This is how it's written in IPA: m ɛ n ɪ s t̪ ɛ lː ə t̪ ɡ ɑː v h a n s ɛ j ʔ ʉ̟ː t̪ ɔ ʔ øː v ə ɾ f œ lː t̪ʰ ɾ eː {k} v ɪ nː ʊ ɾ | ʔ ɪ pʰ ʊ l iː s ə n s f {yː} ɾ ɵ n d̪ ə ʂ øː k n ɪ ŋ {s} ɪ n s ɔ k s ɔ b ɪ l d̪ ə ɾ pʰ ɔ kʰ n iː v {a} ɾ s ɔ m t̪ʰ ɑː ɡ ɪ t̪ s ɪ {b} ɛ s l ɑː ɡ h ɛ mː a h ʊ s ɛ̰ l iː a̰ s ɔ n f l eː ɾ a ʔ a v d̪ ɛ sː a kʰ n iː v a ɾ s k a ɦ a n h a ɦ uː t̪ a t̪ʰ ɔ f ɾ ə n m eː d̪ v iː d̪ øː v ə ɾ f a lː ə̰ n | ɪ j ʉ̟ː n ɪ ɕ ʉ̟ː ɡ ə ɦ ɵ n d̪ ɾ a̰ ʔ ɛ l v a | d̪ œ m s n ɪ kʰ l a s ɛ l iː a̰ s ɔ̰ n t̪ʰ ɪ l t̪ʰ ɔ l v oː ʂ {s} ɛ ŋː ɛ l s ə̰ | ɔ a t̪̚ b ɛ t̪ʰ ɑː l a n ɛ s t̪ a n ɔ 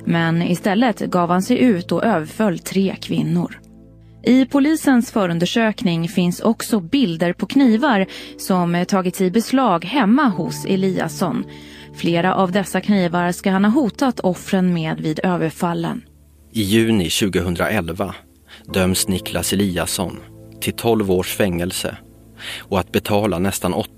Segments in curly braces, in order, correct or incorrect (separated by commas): incorrect, incorrect, incorrect, correct, correct, incorrect